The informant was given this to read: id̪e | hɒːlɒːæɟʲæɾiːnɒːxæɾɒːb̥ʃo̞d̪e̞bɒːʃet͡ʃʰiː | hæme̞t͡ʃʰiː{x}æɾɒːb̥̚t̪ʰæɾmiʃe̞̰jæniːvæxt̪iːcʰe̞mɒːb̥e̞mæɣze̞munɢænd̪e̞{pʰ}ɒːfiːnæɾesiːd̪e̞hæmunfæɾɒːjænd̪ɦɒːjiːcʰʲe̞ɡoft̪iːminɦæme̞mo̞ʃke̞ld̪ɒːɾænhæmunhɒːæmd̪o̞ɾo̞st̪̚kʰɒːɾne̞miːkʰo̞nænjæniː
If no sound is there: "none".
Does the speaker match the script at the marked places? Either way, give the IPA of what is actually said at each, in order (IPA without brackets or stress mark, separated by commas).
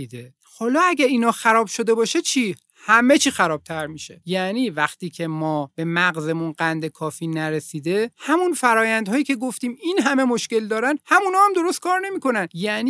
x, kʰ